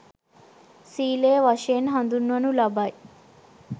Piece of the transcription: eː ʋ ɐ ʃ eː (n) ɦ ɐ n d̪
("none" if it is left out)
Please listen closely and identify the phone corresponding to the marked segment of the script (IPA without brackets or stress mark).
n